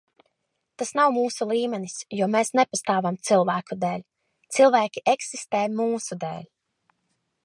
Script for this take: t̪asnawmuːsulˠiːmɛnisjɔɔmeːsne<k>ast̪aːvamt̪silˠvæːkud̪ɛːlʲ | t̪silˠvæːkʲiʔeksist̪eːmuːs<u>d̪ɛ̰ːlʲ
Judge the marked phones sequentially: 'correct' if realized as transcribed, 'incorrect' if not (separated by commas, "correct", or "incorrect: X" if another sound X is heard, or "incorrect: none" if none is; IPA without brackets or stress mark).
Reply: incorrect: p, correct